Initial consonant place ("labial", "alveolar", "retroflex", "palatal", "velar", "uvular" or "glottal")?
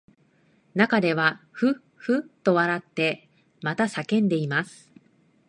alveolar